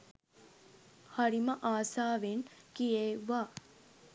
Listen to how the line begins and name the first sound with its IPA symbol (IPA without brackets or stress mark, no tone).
h